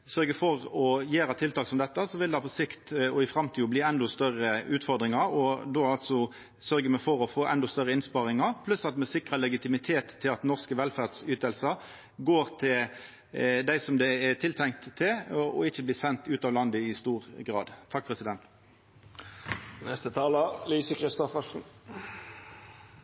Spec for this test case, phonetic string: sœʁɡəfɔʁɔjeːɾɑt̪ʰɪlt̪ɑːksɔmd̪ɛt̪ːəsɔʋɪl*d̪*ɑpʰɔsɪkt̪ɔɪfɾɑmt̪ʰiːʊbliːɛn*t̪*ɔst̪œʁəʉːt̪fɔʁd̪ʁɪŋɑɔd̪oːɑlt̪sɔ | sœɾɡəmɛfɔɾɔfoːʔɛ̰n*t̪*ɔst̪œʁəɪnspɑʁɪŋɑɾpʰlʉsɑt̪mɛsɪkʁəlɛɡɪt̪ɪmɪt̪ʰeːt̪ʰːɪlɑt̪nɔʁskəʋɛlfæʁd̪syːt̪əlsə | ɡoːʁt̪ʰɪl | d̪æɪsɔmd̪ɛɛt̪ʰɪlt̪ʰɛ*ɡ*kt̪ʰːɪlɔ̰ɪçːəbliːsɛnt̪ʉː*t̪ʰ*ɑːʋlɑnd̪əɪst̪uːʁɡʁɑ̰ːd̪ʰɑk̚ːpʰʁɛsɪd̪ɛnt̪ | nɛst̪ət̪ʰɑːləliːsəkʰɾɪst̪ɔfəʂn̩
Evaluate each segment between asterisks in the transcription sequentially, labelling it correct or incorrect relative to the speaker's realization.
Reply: correct, incorrect, incorrect, incorrect, incorrect

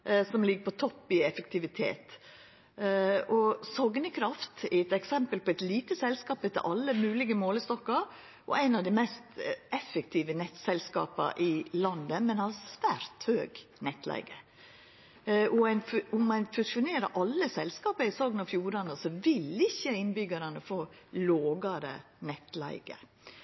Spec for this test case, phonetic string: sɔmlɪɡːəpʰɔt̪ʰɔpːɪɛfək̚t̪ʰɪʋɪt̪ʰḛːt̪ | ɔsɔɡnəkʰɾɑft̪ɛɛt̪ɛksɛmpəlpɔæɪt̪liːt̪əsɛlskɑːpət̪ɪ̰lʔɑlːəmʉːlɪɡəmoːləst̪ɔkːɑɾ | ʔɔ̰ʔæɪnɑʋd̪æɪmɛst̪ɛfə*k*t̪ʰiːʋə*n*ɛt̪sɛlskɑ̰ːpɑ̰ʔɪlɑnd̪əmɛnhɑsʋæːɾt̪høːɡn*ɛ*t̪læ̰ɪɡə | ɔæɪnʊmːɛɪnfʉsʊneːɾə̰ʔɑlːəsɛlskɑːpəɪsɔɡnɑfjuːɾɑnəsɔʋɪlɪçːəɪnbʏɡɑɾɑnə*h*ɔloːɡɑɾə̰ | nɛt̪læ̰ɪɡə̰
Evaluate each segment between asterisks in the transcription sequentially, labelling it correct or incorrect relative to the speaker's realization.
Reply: correct, correct, correct, incorrect

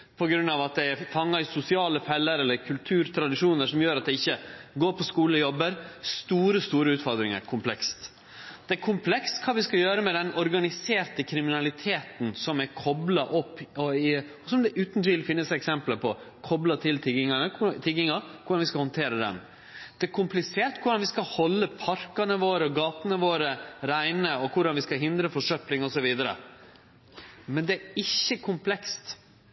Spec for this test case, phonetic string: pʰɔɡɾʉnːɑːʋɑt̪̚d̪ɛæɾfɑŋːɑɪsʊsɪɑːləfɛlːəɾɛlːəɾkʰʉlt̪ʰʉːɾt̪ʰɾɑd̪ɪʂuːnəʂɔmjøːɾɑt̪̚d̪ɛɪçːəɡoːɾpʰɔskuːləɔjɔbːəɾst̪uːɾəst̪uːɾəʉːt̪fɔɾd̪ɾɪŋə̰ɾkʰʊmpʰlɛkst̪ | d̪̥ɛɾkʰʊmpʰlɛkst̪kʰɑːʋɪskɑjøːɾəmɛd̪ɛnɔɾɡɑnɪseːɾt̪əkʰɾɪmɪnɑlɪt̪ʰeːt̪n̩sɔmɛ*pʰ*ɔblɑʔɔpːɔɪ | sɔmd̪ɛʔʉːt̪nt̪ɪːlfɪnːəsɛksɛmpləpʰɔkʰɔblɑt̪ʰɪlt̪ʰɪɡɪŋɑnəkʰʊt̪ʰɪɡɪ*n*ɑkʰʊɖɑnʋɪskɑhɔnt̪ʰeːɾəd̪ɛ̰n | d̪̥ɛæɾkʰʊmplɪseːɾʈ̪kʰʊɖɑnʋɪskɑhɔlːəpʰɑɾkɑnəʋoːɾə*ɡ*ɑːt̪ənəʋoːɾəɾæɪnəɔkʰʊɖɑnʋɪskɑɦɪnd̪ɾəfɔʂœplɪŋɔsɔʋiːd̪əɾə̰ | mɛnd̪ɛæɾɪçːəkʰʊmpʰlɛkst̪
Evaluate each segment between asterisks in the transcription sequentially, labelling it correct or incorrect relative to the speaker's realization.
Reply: incorrect, incorrect, correct

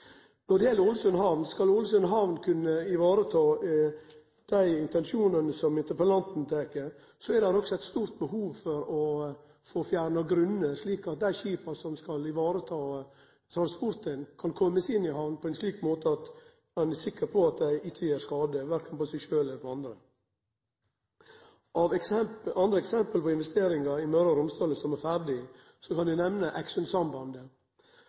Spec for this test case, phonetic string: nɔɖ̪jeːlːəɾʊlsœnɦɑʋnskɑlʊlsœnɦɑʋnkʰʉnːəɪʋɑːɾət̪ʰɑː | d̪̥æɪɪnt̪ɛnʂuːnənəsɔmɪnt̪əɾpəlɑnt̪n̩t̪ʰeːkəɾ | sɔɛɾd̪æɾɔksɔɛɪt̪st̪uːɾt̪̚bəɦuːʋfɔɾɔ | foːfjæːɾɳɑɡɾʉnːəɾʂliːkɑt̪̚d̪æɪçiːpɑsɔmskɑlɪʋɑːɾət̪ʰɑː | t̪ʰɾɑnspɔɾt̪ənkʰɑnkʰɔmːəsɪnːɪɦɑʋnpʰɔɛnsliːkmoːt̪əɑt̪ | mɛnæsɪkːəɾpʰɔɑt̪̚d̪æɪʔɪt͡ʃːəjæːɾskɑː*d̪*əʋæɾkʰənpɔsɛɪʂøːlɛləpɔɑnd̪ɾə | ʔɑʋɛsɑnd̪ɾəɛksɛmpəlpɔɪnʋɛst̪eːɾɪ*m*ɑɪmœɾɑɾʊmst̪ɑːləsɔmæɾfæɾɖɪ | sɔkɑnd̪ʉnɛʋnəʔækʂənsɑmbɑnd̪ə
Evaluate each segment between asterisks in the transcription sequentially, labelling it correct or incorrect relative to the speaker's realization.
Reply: correct, incorrect

